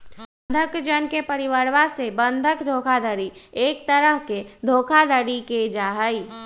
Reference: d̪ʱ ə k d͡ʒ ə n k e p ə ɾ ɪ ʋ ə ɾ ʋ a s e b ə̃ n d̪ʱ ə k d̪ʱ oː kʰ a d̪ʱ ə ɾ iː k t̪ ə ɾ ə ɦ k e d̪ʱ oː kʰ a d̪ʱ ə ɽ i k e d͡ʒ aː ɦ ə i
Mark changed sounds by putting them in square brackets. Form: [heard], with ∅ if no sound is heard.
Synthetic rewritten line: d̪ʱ ə k d͡ʒ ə n k e p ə ɾ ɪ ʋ ə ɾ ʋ a s e b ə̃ n d̪ʱ ə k d̪ʱ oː kʰ a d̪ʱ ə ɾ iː k t̪ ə ɾ ə ɦ k e d̪ʱ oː kʰ a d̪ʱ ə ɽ i k e d͡ʒ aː ɦ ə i